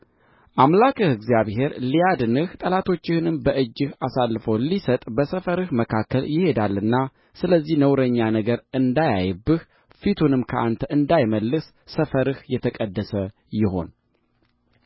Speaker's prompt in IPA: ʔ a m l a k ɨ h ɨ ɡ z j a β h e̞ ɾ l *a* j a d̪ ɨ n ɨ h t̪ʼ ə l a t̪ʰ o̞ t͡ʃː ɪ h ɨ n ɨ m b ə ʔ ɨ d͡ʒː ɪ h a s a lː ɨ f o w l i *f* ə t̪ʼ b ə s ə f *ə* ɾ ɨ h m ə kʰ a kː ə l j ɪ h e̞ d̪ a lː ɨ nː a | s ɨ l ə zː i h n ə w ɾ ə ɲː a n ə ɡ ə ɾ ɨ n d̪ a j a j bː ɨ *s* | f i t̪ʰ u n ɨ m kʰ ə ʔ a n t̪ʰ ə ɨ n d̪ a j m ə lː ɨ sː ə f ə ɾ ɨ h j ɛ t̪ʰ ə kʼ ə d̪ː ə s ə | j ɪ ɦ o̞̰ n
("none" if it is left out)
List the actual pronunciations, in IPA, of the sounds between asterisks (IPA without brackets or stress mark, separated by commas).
i, s, ə, h